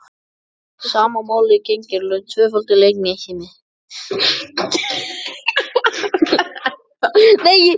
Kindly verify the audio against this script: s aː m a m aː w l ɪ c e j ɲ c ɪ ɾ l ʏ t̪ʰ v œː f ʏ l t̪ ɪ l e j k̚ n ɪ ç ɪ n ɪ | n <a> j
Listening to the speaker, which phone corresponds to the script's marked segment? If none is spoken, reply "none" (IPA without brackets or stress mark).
e